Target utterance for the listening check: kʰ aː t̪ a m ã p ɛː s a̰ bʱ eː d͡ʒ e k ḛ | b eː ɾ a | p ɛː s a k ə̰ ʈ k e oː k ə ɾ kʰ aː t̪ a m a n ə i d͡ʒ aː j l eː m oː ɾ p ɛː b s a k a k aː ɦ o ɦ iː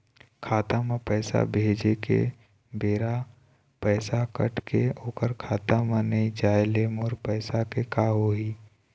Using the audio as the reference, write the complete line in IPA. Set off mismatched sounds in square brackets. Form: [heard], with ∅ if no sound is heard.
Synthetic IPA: kʰ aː t̪ a m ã p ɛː s a̰ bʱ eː d͡ʒ e k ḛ | b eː ɾ a | p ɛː s a k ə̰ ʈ k e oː k ə ɾ kʰ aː t̪ a m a n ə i d͡ʒ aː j l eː m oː ɾ p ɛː [∅] s a k [e] k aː ɦ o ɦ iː